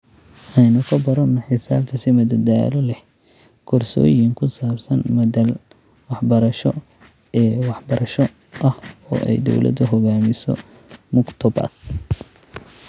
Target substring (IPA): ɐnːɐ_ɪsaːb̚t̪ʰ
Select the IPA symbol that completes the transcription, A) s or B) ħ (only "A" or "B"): B